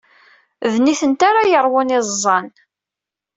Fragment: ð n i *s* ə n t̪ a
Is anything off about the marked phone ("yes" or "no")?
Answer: yes